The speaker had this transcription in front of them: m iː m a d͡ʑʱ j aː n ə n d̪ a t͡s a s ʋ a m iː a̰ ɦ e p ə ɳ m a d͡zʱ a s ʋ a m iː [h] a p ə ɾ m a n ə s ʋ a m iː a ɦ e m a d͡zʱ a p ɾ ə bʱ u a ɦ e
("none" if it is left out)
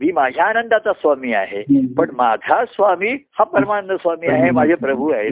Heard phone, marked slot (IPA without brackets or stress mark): h